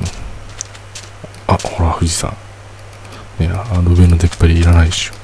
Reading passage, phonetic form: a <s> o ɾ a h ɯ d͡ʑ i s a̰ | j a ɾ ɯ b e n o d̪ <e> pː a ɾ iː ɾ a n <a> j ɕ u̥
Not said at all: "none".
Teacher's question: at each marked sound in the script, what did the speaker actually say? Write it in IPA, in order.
h, e, a

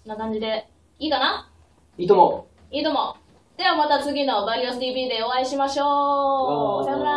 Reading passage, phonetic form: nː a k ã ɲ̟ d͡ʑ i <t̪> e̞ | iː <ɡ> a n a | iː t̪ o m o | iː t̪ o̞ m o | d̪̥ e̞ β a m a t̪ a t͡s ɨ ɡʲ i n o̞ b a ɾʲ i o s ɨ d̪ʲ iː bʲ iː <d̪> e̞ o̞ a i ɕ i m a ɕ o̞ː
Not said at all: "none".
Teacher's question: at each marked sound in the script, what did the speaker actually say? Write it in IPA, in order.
d̪, k, d̪

